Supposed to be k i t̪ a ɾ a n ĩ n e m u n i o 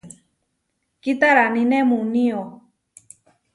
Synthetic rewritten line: k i t̪ a ɾ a n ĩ n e m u n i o

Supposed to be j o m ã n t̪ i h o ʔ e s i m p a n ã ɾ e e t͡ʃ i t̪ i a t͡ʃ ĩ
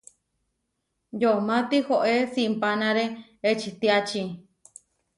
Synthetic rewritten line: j o m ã t̪ i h o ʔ e s i m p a n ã ɾ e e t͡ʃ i t̪ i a t͡ʃ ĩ

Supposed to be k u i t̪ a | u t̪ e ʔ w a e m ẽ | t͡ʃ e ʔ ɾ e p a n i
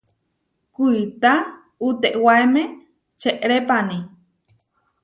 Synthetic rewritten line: k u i t̪ a | u t̪ e ʔ w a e m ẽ | t͡ʃ e ʔ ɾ e p a n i

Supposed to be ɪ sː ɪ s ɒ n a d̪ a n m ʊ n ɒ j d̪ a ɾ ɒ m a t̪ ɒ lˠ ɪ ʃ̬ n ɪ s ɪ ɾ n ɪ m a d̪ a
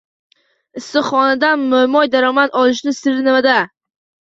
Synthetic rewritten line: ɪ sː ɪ χ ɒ n a d̪ a n m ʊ m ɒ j d̪ a ɾ ɒ m a t̪ ɒ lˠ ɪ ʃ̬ n ɪ s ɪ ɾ n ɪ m a d̪ a

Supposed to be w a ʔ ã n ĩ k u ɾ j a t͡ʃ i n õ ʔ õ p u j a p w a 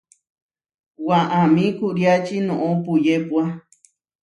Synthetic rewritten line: w a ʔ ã m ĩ k u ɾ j a t͡ʃ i n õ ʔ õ p u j e p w a

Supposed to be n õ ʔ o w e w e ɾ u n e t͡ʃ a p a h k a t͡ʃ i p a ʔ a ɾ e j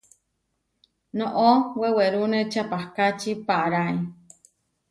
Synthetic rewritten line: n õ ʔ o w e w e ɾ u n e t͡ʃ a p a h k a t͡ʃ i p a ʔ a ɾ a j

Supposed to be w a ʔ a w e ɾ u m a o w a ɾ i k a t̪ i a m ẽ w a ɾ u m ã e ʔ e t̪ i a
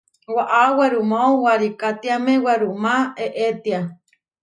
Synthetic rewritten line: w a ʔ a w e ɾ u m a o w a ɾ i k a t̪ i a m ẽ w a ɾ u m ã e ʔ e t̪ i a

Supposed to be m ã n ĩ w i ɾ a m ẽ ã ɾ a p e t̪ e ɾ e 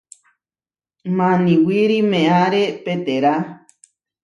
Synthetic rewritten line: m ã n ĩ w i ɾ i m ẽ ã ɾ e p e t̪ e ɾ a

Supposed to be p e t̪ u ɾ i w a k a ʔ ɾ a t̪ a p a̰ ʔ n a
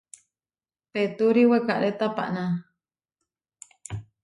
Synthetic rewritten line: p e t̪ u ɾ i w e k a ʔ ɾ e t̪ a p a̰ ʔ n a

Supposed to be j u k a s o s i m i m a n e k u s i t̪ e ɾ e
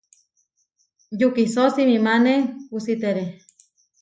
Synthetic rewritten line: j u k i s o s i m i m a n e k u s i t̪ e ɾ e

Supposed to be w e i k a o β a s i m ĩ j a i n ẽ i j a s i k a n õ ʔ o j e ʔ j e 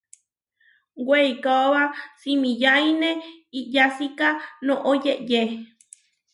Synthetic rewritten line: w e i k a o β a s i m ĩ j a i n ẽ i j a s i k a n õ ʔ o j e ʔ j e

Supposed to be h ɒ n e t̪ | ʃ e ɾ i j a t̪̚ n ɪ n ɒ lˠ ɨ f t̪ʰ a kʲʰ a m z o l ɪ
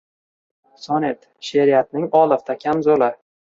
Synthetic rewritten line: s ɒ n e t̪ | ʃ e ɾ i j a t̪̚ n ɪ ŋ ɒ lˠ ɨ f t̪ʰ a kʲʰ a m z o l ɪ

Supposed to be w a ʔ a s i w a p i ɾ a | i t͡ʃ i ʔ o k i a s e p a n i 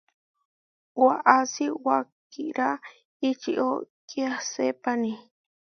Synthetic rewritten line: w a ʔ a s i w a k i ɾ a | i t͡ʃ i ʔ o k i a s e p a n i

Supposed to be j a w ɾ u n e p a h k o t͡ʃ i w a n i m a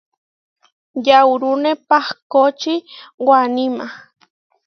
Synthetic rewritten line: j a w ɾ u n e p a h k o t͡ʃ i w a n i m a

